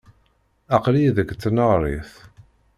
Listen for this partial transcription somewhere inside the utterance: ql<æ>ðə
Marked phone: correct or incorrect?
incorrect